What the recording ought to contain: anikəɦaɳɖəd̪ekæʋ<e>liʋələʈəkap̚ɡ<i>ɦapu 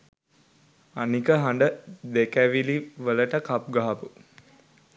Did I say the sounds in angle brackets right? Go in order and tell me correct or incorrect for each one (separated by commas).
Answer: incorrect, incorrect